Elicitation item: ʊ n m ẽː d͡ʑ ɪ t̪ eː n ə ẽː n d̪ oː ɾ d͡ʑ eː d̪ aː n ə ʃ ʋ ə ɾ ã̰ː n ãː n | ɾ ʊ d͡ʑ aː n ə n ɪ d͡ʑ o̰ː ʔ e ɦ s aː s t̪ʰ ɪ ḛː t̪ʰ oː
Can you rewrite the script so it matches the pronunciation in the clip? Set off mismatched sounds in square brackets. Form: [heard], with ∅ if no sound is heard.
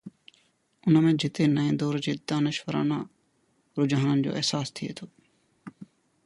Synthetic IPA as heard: ʊ n m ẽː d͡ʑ ɪ t̪ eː n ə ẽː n d̪ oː ɾ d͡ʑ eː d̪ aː n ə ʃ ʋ ə ɾ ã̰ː n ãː [∅] | ɾ ʊ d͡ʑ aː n ə n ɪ d͡ʑ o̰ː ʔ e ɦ s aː s t̪ʰ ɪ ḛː t̪ʰ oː